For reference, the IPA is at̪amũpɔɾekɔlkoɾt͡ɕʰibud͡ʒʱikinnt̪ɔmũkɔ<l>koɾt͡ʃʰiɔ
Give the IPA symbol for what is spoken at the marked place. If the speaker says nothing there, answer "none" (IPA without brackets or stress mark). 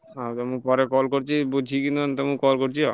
l